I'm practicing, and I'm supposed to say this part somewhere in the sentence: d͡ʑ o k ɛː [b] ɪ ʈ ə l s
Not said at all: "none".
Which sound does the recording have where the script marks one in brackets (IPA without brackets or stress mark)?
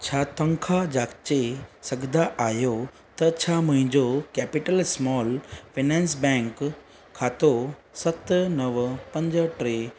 p